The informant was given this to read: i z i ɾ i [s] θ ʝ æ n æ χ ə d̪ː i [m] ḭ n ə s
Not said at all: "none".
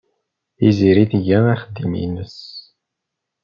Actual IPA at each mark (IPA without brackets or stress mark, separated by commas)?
none, m